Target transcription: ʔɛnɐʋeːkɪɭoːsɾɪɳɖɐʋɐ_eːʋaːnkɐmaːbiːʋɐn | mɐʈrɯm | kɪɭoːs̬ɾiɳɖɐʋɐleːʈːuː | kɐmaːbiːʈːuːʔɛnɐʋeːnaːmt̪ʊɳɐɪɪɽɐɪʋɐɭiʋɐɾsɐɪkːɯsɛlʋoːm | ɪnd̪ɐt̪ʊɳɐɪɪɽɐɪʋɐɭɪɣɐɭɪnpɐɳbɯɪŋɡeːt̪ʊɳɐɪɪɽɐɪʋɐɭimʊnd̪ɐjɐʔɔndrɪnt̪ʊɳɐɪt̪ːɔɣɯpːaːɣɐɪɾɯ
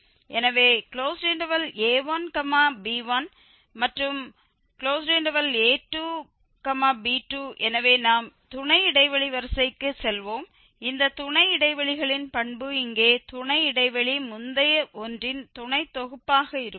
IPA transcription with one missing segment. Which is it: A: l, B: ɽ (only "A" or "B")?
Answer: A